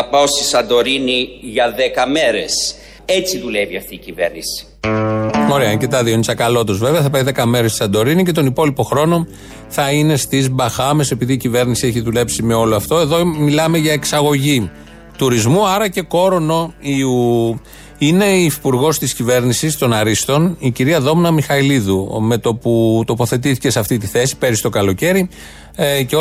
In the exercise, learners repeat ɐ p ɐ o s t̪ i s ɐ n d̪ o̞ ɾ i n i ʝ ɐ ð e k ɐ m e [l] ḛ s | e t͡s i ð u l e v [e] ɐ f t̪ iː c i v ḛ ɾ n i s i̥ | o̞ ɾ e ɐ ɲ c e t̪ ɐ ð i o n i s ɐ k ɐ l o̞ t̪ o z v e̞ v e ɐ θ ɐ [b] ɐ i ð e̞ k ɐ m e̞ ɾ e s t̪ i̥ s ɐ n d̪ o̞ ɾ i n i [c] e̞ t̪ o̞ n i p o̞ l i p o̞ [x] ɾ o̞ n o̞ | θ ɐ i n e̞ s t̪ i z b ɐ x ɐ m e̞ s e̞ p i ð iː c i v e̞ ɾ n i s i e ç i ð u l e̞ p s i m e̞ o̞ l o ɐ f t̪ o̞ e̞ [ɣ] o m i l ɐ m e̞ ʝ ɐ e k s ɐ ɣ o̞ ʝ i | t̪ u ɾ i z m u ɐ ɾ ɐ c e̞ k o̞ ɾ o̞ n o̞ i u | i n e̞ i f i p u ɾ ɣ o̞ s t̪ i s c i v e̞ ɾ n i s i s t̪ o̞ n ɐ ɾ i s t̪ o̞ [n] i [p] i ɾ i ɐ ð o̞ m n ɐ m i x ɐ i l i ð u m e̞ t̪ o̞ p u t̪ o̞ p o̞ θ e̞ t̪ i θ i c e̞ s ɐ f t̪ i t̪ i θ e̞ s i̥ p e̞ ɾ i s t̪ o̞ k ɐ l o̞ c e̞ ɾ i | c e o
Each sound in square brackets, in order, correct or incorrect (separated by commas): incorrect, incorrect, incorrect, correct, correct, incorrect, correct, incorrect